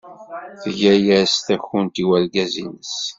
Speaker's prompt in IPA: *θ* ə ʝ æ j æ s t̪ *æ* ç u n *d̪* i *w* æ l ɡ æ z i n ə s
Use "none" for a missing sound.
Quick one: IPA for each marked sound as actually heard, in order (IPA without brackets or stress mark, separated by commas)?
θ, æ, t̪, w